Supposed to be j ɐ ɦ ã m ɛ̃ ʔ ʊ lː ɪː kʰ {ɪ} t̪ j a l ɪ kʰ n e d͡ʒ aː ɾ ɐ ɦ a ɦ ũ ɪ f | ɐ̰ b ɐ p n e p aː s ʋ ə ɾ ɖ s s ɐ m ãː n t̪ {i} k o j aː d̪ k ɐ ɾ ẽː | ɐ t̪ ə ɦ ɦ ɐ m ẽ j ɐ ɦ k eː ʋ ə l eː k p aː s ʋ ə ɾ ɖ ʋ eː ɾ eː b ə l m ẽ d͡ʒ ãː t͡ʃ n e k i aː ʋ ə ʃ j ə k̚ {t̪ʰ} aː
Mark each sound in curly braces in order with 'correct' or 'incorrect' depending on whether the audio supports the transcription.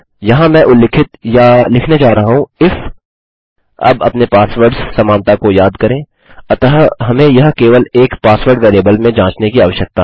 correct, incorrect: a, incorrect: t̪

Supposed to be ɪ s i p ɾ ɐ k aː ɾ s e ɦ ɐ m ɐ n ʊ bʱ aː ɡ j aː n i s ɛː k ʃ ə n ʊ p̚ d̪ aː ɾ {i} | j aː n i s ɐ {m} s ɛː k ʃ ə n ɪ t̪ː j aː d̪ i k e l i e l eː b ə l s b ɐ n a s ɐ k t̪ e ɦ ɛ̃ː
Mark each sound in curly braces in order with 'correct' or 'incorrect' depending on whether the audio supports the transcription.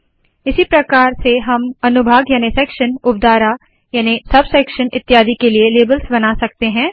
incorrect: a, incorrect: b

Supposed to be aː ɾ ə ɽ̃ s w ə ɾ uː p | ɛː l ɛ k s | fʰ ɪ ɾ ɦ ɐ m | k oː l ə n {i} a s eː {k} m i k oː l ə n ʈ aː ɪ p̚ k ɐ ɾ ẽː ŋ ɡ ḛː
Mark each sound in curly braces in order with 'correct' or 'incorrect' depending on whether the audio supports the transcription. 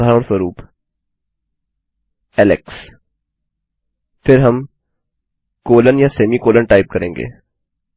incorrect: j, incorrect: none

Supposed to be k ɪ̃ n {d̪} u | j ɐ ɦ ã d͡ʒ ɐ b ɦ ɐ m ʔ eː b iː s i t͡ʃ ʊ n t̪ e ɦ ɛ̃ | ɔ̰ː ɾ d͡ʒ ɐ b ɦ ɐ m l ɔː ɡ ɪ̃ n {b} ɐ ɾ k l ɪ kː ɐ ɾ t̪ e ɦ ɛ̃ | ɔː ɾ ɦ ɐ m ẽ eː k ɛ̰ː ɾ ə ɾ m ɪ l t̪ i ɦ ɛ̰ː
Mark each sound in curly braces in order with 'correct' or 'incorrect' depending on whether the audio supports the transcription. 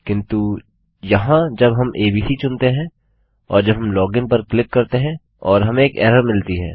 incorrect: t̪, incorrect: p

